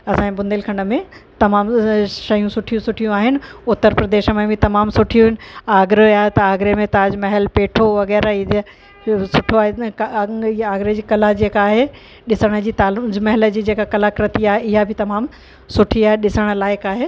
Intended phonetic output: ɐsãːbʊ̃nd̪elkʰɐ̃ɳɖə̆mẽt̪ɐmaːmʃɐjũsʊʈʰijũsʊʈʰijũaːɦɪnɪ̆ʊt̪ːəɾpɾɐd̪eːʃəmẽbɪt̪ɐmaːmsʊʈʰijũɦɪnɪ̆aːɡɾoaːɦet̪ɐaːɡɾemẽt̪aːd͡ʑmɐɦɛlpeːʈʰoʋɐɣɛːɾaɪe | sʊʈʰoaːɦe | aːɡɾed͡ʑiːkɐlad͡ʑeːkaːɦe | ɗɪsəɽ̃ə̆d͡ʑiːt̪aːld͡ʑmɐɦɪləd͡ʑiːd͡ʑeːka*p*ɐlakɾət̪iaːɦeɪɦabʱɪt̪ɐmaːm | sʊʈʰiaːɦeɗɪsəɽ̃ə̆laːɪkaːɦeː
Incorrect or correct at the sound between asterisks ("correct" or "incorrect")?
incorrect